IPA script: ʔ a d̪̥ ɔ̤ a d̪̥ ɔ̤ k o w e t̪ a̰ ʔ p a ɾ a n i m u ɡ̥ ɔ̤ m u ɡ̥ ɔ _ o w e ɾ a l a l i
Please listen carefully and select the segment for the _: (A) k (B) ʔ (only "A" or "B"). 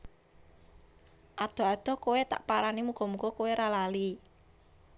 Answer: A